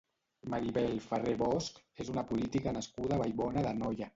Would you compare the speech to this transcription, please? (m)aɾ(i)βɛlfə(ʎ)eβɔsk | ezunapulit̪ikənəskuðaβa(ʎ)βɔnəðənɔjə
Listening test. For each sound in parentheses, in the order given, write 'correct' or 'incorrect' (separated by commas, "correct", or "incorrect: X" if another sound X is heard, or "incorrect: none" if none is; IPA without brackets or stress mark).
correct, correct, incorrect: r, incorrect: j